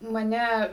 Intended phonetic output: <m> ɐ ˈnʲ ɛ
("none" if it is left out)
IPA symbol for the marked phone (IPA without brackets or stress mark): m